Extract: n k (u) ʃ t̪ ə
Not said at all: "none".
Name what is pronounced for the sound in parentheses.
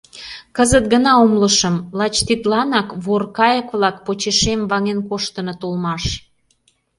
o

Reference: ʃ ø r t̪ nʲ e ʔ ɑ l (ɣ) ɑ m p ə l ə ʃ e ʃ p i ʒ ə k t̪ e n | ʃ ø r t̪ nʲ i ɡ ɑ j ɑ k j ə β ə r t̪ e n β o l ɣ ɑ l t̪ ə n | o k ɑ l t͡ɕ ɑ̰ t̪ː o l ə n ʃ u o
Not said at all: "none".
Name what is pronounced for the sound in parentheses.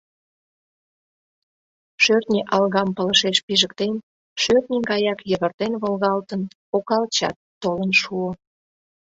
ɣ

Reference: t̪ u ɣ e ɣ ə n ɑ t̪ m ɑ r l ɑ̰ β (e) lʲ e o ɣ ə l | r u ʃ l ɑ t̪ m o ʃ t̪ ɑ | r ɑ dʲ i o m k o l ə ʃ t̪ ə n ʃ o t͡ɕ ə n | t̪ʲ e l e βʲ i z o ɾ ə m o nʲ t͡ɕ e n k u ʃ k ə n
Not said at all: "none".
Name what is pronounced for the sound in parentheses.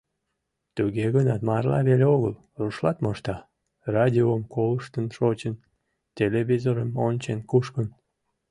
e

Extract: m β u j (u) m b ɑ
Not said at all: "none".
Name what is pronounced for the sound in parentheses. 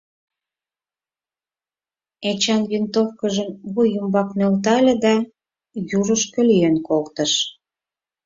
u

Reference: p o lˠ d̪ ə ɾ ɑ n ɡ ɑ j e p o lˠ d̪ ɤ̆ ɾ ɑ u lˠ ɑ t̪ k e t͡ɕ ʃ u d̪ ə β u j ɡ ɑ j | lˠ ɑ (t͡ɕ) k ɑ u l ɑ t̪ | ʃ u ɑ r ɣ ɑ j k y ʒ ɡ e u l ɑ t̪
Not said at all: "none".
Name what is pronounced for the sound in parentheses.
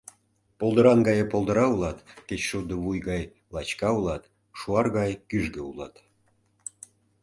t͡ɕ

